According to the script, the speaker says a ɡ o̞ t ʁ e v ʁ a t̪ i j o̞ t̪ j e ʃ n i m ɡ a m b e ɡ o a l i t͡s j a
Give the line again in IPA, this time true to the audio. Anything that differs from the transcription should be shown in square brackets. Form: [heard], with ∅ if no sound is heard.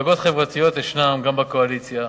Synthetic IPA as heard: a ɡ o̞ t [χ] e v ʁ a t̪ i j o̞ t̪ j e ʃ n [a] m ɡ a m b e [k] o a l i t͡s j a